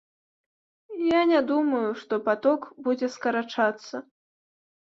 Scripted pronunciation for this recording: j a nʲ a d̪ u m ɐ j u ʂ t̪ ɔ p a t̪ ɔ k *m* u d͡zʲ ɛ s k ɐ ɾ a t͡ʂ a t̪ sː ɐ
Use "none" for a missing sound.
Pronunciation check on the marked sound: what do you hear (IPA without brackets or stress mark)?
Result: b